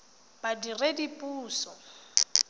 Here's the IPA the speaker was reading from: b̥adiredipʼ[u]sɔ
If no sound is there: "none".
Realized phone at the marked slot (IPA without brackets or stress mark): uː